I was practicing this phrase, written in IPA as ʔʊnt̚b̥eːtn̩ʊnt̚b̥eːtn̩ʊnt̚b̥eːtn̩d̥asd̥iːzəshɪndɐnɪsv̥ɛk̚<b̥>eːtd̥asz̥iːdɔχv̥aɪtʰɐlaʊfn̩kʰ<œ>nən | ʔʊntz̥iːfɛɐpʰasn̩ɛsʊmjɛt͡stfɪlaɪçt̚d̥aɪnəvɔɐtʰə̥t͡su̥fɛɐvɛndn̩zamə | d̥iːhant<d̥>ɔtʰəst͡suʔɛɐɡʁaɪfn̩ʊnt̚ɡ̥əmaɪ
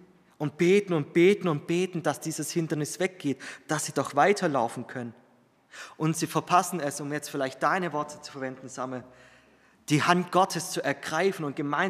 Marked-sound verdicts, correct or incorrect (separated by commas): incorrect, correct, incorrect